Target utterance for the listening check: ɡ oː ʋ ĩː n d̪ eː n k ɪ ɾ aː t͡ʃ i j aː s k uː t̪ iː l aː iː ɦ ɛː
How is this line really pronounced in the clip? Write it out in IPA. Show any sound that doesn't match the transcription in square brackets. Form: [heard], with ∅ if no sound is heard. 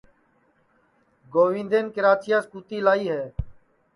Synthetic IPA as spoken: ɡ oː ʋ ĩː n d̪ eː n k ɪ ɾ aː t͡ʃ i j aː s k uː t̪ iː l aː iː ɦ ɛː